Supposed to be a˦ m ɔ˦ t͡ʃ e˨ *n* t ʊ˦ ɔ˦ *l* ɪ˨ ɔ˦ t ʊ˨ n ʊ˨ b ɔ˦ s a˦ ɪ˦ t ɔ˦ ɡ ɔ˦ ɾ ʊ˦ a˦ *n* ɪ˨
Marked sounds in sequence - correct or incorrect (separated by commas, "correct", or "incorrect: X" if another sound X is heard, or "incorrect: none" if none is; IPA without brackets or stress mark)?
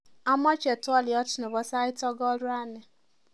incorrect: none, correct, correct